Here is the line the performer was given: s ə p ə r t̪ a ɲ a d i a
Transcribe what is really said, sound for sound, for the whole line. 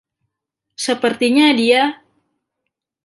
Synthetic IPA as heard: s ə p ə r t̪ i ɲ a d i a

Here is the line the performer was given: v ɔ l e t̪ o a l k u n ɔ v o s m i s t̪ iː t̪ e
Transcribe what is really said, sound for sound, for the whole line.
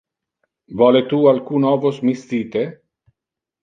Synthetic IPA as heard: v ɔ l e t̪ u a l k u n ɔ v o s m i s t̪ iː t̪ e

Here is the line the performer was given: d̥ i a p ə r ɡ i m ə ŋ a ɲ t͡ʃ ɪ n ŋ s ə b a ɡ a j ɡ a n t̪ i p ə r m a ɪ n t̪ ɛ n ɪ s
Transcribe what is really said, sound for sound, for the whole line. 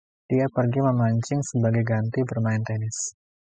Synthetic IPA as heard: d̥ i a p ə r ɡ i m ə m a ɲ t͡ʃ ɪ ŋ s ə b a ɡ a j ɡ a n t̪ i b ə r m a ɪ n t̪ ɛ n ɪ s

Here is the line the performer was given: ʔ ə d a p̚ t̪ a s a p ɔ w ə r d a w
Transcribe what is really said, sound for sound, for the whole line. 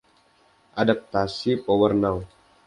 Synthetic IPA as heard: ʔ a d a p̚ t̪ a s i p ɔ w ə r n a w

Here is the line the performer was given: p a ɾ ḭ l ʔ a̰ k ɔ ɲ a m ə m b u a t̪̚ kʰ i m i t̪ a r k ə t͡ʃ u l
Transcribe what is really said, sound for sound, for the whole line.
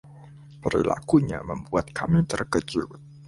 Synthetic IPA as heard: p ə ɾ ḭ l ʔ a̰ k u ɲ a m ə m b u a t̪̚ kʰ a m i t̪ ə r k ə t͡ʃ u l

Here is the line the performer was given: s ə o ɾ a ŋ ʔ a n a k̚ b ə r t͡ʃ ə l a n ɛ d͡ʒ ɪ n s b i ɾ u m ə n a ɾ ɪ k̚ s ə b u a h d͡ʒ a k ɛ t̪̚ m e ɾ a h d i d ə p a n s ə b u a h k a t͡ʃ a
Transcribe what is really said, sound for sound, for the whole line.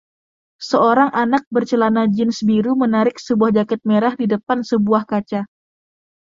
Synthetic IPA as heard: s ə o ɾ a ŋ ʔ a n a k̚ b ə r t͡ʃ ə l a n a d͡ʒ ɪ n s b i ɾ u m ə n a ɾ ɪ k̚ s ə b u a h d͡ʒ a k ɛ t̪̚ m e ɾ a h d i d ə p a n s ə b u a h k a t͡ʃ a

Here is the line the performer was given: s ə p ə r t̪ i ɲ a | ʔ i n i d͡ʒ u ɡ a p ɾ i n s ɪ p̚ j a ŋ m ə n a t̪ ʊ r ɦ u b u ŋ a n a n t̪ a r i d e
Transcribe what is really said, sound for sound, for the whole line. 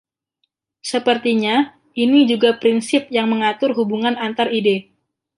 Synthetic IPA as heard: s ə p ə r t̪ i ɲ a | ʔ i n i d͡ʒ u ɡ a p ɾ i n s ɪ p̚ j a ŋ m ə ŋ a t̪ ʊ r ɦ u b u ŋ a n a n t̪ a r i d e

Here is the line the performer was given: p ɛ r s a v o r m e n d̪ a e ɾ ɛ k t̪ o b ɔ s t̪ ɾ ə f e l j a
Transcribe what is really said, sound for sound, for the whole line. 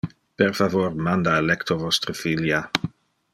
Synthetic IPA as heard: p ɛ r f a v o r m a n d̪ a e l ɛ k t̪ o v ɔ s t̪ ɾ ə f i l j a

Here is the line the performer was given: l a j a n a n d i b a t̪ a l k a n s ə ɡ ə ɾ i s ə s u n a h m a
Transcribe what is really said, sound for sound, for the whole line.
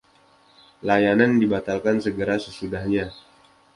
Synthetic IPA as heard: l a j a n a n d i b a t̪ a l k a n s ə ɡ ə ɾ a s ə s u d a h ɲ a

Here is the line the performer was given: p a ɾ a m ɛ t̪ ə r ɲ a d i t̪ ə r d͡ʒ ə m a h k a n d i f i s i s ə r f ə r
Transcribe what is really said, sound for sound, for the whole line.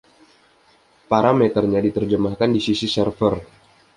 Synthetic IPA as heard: p a ɾ a m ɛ t̪ ə r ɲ a d i t̪ ə r d͡ʒ ə m a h k a n d i s i s i s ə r f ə r

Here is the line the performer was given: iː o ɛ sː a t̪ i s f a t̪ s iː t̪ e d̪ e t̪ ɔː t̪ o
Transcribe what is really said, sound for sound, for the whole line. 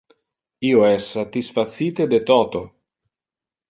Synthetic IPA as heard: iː o ɛ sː a t̪ i s f a t̪ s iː t̪ e d̪ e t̪ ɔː t̪ o

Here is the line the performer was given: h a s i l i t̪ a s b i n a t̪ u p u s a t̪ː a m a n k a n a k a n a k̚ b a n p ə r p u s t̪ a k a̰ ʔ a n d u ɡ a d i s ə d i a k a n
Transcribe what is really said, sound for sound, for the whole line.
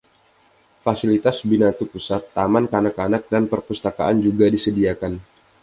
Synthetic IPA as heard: f a s i l i t̪ a s b i n a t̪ u p u s a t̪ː a m a n k a n a k a n a k̚ d a n p ə r p u s t̪ a k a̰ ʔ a n d͡ʒ u ɡ a d i s ə d i a k a n

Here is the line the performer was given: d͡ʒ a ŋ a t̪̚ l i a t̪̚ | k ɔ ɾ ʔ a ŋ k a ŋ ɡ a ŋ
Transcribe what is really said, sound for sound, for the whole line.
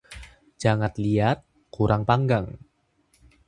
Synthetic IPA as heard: d͡ʒ a ŋ a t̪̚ l i a t̪̚ | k u ɾ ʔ a ŋ p a ŋ ɡ a ŋ

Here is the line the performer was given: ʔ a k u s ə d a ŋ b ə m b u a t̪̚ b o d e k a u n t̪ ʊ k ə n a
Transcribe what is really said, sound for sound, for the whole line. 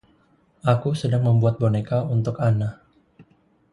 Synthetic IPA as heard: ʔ a k u s ə d a ŋ m ə m b u a t̪̚ b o n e k a u n t̪ ʊ k a n a

